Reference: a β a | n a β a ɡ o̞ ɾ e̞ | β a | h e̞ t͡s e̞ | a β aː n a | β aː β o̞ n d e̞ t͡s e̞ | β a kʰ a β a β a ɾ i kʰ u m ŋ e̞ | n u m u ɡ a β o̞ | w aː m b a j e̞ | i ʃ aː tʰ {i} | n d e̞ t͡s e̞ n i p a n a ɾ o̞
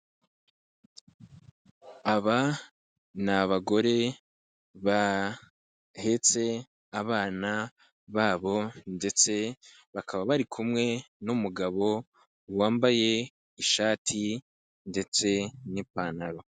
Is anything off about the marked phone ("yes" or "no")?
no